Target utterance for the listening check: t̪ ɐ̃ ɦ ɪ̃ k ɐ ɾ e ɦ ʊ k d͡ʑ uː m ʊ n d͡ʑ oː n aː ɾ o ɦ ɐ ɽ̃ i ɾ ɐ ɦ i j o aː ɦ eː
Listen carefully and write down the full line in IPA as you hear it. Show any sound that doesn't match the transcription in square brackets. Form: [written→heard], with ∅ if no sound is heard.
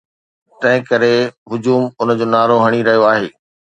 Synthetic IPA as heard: t̪ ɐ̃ ɦ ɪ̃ k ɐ ɾ e ɦ ʊ [k→∅] d͡ʑ uː m ʊ n d͡ʑ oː n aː ɾ o ɦ ɐ ɽ̃ i ɾ ɐ ɦ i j o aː ɦ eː